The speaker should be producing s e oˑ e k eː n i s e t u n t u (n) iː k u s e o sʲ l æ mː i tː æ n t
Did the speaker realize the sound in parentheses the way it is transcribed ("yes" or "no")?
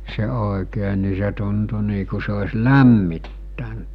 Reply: yes